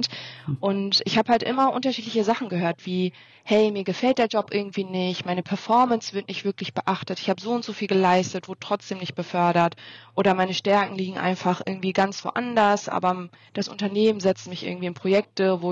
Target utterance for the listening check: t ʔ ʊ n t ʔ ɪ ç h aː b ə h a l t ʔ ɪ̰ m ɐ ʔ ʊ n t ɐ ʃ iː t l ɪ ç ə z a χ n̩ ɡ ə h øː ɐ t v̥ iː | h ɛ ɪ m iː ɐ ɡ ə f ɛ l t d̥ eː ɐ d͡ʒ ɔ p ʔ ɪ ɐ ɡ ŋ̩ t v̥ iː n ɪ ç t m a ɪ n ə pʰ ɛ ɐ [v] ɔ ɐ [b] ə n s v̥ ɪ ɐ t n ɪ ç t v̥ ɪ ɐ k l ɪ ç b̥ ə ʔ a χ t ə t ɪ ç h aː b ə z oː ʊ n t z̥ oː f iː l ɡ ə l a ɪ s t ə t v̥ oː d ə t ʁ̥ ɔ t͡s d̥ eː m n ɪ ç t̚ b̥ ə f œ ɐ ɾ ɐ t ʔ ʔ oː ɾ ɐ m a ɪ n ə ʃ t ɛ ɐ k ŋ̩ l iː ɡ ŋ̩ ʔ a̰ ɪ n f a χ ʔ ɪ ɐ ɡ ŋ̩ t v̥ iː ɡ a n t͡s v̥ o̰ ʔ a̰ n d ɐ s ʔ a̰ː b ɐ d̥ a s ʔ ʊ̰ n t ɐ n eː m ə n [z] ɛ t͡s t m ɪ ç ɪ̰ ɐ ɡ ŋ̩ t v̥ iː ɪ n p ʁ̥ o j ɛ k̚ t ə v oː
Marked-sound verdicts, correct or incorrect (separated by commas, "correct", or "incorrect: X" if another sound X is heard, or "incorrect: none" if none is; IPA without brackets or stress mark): incorrect: f, incorrect: m, correct